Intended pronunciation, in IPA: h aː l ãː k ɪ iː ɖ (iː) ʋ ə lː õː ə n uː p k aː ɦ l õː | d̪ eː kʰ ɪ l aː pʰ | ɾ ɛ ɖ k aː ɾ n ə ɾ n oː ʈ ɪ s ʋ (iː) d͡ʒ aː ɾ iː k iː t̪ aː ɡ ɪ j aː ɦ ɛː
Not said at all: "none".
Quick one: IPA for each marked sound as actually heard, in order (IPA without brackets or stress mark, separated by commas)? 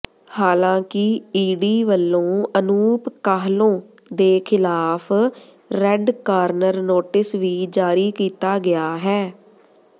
iː, iː